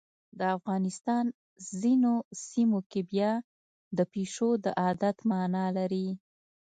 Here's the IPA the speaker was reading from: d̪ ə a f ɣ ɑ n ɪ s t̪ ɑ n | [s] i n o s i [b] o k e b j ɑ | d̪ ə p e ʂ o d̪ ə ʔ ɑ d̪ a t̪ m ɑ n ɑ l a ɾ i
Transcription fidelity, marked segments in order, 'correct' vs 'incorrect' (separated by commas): incorrect, incorrect